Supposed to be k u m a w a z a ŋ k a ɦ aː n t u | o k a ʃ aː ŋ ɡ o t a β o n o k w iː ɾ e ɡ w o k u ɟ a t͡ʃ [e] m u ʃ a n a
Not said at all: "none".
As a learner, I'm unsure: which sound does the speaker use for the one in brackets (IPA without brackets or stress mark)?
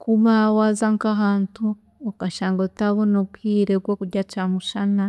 a